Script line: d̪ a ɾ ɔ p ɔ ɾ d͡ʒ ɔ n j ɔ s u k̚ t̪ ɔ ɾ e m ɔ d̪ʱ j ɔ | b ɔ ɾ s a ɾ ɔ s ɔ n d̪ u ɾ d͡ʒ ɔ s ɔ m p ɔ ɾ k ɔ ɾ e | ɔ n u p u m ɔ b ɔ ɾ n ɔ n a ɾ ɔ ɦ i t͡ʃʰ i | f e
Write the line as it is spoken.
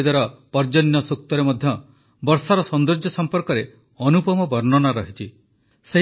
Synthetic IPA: d̪ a ɾ ɔ p ɔ ɾ d͡ʒ ɔ n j ɔ s u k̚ t̪ ɔ ɾ e m ɔ d̪ʱ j ɔ | b ɔ ɾ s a ɾ ɔ s ɔ n d̪ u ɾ d͡ʒ ɔ s ɔ m p ɔ ɾ k ɔ ɾ e | ɔ n u p ɔ m ɔ b ɔ ɾ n ɔ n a ɾ ɔ ɦ i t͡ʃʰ i | s e